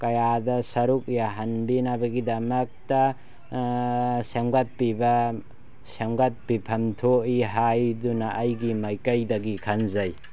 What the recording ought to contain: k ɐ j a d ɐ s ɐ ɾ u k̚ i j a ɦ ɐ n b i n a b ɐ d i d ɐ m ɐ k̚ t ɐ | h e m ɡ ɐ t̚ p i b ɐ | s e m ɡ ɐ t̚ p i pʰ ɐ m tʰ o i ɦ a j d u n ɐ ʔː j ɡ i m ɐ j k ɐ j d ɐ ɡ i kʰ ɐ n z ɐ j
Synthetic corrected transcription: k ɐ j a d ɐ s ɐ ɾ u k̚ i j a ɦ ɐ n b i n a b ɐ ɡ i d ɐ m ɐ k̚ t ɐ | s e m ɡ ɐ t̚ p i b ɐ | s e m ɡ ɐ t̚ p i pʰ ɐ m tʰ o i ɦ a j d u n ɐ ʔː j ɡ i m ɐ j k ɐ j d ɐ ɡ i kʰ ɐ n z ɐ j